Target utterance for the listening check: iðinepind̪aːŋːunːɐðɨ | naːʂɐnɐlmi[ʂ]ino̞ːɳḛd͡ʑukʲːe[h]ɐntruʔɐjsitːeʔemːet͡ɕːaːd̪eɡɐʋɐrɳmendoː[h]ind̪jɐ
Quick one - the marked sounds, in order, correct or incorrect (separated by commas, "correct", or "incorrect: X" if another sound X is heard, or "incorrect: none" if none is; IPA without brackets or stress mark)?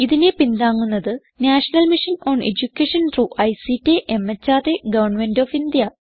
correct, incorrect: ʂ, incorrect: f